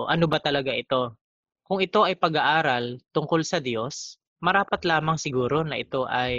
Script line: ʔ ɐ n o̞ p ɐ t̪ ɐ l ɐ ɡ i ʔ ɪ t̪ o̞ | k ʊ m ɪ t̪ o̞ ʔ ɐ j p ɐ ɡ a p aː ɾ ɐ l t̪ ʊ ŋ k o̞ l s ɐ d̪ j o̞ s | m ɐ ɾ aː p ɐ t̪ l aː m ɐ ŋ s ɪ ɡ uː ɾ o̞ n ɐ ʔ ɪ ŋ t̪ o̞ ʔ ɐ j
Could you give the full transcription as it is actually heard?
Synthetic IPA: ʔ ɐ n o̞ b ɐ t̪ ɐ l ɐ ɡ a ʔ ɪ t̪ o̞ | k ʊ ŋ ɪ t̪ o̞ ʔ ɐ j p ɐ ɡ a ʔ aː ɾ ɐ l t̪ ʊ ŋ k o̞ l s ɐ d̪ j o̞ s | m ɐ ɾ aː p ɐ t̪ l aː m ɐ ŋ s ɪ ɡ uː ɾ o̞ n ɐ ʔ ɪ t̪ o̞ ʔ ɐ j